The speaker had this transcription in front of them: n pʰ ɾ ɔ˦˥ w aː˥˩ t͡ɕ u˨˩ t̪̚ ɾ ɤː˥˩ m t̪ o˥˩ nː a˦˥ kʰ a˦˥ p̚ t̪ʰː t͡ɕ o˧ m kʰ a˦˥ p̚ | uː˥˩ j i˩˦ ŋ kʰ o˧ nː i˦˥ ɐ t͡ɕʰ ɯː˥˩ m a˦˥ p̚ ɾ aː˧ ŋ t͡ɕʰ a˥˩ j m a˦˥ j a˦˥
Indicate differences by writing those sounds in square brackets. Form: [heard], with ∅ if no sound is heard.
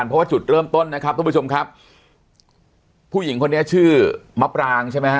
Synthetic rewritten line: n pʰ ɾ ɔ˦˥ w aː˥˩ t͡ɕ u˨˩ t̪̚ ɾ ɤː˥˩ m t̪ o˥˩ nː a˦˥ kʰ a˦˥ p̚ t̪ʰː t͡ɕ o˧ m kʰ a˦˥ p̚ | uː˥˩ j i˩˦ ŋ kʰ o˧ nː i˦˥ ɐ t͡ɕʰ ɯː˥˩ m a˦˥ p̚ ɾ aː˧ ŋ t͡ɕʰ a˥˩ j m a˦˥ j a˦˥